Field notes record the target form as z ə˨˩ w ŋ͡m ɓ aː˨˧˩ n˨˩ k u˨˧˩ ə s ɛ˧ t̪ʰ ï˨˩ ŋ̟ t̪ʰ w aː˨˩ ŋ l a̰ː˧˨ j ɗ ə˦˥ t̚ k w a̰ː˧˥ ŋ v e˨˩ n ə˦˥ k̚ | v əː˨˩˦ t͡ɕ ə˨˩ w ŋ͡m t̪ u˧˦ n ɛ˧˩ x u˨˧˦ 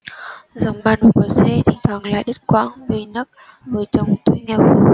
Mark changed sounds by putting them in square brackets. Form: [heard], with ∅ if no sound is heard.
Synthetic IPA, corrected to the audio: z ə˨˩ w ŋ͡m ɓ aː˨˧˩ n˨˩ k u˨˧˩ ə s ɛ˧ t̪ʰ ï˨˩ ŋ̟ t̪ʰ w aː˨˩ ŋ l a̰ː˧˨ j ɗ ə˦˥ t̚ k w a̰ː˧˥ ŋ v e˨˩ n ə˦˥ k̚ | v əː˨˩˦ t͡ɕ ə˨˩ w ŋ͡m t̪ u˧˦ [ŋ] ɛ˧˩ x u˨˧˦